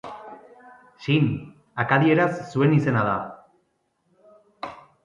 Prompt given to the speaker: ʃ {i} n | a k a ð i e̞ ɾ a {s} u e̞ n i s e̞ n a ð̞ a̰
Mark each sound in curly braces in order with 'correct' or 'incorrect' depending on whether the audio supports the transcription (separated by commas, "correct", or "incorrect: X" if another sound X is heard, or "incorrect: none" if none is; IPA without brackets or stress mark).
correct, incorrect: sː